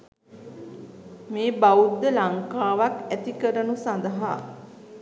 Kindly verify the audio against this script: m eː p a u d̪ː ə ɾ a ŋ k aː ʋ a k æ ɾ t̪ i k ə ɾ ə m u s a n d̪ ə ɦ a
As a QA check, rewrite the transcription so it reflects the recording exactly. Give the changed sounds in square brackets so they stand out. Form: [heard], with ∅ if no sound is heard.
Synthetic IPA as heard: m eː [b] a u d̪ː ə [l] a ŋ k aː ʋ a k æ [∅] t̪ i k ə ɾ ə [n] u s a n d̪ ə ɦ a